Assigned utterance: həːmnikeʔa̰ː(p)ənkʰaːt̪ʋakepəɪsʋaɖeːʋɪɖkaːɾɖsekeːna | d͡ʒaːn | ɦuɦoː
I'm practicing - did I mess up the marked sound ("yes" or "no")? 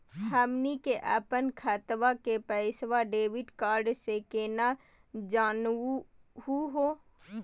no